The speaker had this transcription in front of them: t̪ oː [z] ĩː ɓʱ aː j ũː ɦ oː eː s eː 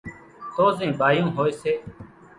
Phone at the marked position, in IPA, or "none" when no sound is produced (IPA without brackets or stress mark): z